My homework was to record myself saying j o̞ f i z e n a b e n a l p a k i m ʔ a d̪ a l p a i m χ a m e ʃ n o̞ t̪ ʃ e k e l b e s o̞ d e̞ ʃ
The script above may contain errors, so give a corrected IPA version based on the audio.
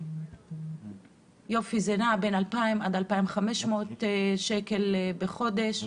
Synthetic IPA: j o̞ f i z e n a b e n a l p a i m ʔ a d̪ a l p a i m χ a m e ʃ m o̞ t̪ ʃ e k e l b e χ o̞ d e̞ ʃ

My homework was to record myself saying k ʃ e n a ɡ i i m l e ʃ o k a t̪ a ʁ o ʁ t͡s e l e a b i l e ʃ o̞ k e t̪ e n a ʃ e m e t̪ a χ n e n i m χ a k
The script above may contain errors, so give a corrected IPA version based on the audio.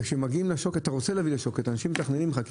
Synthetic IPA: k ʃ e m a ɡ i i m l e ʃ o k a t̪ a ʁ o t͡s e l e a v i l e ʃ o̞ k e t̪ a n a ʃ i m e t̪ a χ n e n i m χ a k

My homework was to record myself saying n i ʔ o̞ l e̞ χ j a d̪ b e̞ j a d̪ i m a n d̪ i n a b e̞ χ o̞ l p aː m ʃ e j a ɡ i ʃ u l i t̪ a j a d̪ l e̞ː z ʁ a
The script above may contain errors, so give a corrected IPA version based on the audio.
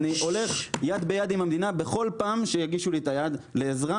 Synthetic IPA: n i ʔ o̞ l e̞ χ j a d̪ b e̞ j a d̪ i m a m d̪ i n a b e̞ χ o̞ l p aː m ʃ e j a ɡ i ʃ u l i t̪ a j a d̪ l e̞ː z ʁ a

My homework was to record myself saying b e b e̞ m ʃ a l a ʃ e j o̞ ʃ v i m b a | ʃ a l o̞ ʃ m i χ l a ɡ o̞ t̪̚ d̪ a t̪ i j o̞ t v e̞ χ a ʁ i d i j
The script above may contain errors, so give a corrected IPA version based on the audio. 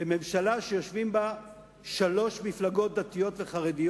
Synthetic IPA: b e m e̞ m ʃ a l a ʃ e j o̞ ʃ v i m b a | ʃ a l o̞ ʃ m i f l a ɡ o̞ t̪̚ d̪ a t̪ i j o̞ t v e̞ χ a ʁ e d i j

